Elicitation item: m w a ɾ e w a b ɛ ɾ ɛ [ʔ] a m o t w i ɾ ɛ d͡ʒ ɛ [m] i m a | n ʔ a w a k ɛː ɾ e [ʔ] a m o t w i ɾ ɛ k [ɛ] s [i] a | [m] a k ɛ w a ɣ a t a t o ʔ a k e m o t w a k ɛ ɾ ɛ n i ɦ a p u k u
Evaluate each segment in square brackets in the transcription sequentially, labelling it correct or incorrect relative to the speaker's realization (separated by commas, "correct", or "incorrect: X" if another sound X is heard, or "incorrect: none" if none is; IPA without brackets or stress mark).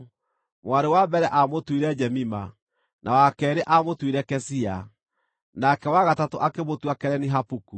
correct, correct, correct, correct, correct, incorrect: n